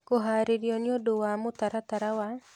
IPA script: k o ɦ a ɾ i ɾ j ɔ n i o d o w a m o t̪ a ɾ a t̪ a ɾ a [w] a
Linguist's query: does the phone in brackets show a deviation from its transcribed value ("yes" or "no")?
no